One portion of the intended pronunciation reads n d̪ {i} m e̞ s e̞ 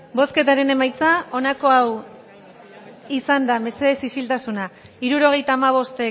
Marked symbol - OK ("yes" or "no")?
no